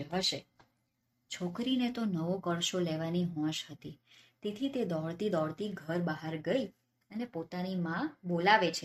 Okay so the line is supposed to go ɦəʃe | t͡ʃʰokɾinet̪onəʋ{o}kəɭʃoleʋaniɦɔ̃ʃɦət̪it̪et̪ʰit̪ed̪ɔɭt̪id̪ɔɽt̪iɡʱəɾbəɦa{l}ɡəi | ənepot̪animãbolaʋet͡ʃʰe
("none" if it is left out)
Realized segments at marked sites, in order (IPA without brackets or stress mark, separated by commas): o, ɾ